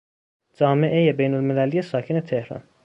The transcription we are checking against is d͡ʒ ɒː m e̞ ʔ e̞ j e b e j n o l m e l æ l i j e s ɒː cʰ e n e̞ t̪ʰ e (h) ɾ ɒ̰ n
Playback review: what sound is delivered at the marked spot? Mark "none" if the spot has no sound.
h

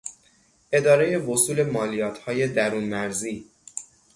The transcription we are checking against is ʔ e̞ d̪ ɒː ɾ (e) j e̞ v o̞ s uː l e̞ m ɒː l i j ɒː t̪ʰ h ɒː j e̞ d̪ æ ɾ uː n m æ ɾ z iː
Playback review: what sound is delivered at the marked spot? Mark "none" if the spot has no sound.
e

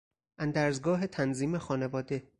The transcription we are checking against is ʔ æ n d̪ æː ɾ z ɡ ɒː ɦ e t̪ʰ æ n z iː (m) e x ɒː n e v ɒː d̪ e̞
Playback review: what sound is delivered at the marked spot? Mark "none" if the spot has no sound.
m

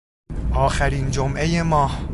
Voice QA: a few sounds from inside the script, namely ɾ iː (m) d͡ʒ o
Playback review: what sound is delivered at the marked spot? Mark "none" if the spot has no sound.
n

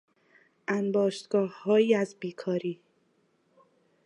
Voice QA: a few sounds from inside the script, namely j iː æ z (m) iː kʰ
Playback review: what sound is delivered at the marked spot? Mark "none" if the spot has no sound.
b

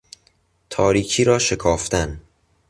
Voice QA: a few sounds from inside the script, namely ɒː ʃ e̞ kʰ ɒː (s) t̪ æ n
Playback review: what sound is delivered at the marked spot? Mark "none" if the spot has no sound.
f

